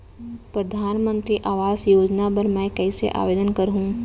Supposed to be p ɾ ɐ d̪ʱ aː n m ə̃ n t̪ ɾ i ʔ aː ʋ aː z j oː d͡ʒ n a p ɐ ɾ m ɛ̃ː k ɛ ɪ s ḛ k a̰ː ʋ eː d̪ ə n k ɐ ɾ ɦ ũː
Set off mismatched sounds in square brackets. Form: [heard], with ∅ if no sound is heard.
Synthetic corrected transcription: p ɾ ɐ d̪ʱ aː n m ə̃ n t̪ ɾ i ʔ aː ʋ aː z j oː d͡ʒ n a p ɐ ɾ m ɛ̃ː k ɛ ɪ s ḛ [ʔ] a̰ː ʋ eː d̪ ə n k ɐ ɾ ɦ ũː